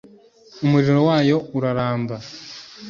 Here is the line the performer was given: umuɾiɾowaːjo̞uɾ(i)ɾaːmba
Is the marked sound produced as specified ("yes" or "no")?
no